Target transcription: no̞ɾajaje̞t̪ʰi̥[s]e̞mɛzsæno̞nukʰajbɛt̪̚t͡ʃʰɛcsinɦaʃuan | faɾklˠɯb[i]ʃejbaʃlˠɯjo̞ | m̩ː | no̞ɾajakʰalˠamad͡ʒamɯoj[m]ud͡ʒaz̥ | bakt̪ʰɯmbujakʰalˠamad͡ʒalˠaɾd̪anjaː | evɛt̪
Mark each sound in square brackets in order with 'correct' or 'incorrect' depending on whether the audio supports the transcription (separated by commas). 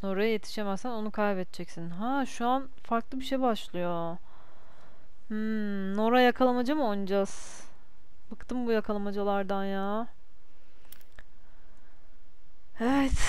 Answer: incorrect, correct, incorrect